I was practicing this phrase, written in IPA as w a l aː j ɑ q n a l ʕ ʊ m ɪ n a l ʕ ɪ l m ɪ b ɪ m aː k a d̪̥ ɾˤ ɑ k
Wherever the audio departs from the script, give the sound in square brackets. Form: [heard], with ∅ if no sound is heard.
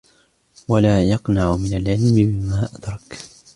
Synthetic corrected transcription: w a l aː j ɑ q n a [∅] ʕ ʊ m ɪ n a l ʕ ɪ l m ɪ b ɪ m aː [ʔ] a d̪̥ ɾˤ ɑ k